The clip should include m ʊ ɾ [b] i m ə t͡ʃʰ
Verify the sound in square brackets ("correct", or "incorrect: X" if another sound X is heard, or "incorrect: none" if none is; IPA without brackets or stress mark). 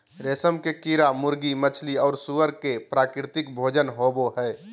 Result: incorrect: ɡ